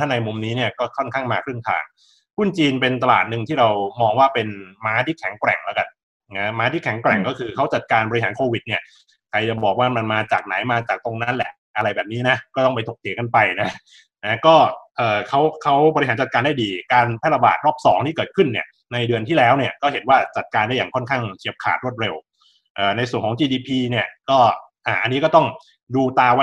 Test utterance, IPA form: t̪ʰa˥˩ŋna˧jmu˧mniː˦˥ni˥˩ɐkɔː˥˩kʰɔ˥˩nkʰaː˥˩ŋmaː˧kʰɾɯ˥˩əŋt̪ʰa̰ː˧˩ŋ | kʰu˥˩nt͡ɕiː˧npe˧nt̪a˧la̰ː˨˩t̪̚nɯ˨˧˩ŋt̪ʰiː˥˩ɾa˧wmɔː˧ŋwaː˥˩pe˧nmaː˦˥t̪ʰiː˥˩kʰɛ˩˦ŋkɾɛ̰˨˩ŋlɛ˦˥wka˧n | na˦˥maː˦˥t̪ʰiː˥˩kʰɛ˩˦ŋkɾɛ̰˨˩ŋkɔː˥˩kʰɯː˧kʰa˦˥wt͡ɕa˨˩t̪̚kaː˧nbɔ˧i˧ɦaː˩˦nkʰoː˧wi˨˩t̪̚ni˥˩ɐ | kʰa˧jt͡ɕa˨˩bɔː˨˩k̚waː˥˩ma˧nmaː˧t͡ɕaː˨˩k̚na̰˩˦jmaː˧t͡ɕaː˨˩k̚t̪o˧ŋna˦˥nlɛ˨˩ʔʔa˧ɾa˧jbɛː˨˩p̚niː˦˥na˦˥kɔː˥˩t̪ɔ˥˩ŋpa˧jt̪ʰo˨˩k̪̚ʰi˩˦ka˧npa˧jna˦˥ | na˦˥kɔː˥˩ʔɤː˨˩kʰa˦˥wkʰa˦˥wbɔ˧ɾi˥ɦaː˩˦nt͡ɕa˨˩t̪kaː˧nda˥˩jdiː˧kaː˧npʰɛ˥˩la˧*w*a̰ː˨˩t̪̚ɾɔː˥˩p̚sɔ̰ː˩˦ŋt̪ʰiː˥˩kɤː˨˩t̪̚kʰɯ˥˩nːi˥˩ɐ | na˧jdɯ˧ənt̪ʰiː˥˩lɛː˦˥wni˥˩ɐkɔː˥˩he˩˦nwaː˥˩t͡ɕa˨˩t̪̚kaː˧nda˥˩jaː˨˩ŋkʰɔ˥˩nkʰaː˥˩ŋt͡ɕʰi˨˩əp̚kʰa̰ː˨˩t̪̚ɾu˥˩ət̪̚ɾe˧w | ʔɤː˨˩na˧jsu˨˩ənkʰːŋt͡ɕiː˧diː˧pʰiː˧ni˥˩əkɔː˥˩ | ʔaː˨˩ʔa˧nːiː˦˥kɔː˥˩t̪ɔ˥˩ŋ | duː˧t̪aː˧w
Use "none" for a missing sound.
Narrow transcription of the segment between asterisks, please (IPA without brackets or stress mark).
b